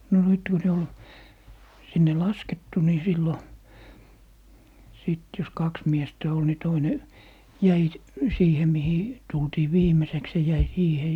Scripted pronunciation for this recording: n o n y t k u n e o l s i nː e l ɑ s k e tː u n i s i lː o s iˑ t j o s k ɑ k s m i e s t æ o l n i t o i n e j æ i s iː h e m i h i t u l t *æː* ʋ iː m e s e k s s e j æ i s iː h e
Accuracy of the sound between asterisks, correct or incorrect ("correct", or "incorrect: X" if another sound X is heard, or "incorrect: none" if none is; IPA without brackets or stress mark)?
incorrect: iː